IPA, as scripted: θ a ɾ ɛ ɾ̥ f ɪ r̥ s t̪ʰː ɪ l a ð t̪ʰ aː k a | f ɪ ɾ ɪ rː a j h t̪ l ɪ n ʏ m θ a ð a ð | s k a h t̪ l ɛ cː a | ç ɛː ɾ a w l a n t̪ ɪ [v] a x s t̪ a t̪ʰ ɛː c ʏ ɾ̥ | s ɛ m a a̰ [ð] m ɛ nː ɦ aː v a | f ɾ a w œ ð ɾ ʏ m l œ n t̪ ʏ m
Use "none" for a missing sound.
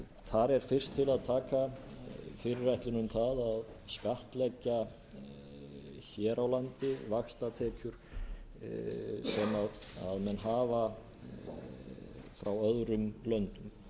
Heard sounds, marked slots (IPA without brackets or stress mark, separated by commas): v, ð